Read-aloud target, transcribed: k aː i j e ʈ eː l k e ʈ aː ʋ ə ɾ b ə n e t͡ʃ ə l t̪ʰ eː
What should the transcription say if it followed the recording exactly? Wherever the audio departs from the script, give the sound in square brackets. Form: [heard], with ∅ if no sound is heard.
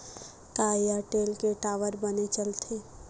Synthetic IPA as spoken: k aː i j [a] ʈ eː l k e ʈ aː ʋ ə ɾ b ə n e t͡ʃ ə l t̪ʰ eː